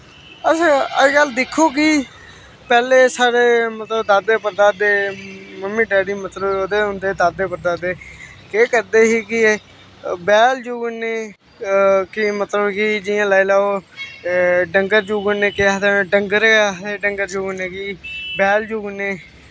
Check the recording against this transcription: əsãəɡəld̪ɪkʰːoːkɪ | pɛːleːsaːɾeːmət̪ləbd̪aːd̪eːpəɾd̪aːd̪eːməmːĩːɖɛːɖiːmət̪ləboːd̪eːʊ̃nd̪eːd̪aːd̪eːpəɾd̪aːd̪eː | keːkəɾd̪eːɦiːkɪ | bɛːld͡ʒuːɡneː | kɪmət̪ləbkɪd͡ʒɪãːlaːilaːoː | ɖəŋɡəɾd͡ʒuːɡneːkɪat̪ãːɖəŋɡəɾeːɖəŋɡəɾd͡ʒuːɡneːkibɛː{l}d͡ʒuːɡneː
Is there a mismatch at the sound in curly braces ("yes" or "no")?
no